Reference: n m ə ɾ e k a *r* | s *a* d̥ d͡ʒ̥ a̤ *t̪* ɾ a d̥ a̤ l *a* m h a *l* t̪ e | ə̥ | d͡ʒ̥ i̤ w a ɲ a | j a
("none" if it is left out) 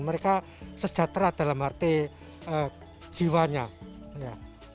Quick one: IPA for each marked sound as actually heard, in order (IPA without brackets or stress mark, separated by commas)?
none, ə, t̪, a, r